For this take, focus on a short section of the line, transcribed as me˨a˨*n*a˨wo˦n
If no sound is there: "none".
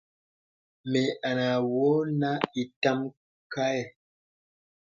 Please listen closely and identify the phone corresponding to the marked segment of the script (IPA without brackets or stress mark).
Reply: n